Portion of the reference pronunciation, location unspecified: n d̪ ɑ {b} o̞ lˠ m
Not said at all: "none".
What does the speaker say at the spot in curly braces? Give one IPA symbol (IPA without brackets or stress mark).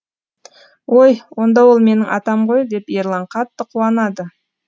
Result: w